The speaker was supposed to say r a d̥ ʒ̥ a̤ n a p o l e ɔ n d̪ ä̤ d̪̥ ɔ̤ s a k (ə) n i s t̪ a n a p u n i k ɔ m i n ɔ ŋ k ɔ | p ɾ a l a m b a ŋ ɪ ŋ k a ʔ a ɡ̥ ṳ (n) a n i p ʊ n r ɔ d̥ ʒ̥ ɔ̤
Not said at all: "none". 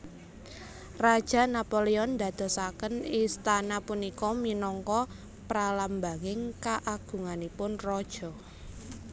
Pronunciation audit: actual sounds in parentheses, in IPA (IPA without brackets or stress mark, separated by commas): ə, ŋ